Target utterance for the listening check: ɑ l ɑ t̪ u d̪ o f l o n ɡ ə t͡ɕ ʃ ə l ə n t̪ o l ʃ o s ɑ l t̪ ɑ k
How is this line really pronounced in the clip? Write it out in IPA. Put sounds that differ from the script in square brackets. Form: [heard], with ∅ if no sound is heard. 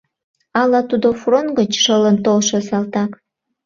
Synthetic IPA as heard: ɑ l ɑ t̪ u d̪ o f [r] o n ɡ ə t͡ɕ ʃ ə l ə n t̪ o l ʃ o s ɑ l t̪ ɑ k